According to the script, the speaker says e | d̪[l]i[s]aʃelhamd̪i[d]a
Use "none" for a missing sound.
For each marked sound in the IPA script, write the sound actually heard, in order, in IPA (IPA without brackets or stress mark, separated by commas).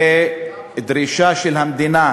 ɾ, ʃ, n